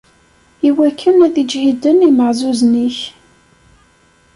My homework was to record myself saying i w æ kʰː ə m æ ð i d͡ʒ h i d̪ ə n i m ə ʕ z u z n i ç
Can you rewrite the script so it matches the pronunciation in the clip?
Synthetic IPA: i w æ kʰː ə n æ ð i d͡ʒ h i d̪ ə n i m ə ʕ z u z n i ç